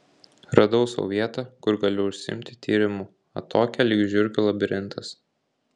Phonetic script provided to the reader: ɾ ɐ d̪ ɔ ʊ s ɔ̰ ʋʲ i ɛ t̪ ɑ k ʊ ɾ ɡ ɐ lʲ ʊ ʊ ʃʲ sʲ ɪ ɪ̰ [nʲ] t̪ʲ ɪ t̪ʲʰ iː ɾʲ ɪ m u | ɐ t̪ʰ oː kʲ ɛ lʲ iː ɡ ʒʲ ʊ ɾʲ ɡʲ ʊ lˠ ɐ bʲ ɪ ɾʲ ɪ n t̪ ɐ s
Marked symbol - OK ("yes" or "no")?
no